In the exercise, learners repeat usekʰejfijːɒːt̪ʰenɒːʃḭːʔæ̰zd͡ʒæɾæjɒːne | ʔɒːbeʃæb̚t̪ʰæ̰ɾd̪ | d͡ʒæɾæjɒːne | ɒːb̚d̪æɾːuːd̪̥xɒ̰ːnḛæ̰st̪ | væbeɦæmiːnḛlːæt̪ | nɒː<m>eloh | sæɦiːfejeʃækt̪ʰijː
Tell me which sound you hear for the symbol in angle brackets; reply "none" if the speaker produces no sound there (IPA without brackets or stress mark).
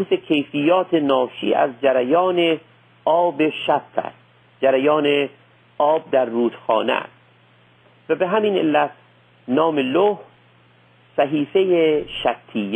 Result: m